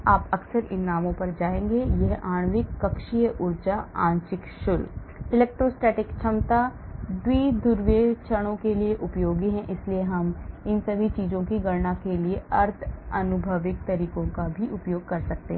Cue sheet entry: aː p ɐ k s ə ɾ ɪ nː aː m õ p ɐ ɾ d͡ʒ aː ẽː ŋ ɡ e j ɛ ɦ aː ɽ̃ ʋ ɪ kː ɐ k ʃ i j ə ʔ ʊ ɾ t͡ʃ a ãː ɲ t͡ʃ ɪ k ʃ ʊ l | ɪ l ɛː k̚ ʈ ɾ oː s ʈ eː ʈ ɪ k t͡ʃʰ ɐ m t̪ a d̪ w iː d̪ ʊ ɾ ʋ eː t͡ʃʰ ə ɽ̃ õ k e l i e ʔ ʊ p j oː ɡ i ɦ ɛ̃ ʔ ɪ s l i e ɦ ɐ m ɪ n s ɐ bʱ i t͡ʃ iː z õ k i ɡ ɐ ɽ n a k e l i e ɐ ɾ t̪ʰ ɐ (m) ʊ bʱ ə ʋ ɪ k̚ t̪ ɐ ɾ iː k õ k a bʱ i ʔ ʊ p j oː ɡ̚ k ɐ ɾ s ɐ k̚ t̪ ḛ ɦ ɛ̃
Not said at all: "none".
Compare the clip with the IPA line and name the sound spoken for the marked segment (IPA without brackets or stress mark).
n